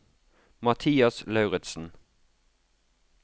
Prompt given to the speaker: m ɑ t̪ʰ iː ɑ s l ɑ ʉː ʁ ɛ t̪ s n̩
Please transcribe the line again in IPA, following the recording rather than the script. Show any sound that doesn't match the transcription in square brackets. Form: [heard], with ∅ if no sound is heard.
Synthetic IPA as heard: m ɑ t̪ʰ iː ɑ s l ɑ [ʉ] ʁ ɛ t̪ s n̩